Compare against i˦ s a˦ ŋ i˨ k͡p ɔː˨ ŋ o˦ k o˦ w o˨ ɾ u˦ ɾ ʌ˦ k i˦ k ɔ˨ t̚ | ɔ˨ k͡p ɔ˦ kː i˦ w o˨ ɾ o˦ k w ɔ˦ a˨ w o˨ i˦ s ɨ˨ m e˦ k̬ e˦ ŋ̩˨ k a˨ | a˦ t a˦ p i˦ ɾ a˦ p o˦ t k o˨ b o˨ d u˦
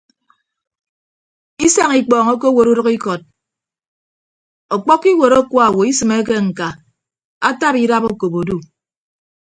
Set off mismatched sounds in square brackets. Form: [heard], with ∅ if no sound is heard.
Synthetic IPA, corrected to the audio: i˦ s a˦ ŋ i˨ k͡p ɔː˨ ŋ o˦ k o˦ w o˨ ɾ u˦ ɾ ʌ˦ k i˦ k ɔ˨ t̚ | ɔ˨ k͡p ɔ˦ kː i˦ w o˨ ɾ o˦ k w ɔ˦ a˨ w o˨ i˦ s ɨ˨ m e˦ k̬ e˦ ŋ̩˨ k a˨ | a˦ t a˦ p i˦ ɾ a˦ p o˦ [∅] k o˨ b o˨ d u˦